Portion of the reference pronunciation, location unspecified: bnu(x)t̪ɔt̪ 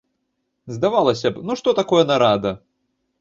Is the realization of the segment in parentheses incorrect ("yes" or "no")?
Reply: yes